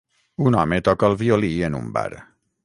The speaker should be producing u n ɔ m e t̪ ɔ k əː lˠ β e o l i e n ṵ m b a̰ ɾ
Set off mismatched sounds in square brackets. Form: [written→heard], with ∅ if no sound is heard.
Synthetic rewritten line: u n ɔ m e t̪ ɔ k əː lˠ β [e→i] o l i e n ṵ m b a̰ ɾ